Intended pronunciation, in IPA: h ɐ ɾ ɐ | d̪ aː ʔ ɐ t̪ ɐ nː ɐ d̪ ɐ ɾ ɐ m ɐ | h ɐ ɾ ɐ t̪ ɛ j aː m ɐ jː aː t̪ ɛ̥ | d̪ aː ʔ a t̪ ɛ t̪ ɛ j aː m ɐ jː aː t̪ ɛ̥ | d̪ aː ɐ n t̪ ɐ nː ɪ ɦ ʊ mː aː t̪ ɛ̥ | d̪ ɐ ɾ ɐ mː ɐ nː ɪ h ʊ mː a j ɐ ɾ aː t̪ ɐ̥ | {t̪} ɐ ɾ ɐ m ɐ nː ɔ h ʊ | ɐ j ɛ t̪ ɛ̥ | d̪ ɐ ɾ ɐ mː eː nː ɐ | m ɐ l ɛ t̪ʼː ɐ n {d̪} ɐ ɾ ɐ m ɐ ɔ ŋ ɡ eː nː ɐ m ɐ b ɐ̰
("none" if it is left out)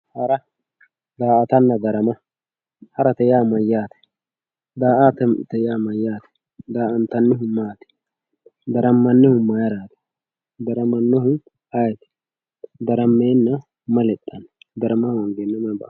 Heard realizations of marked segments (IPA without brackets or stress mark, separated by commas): d̪, d̪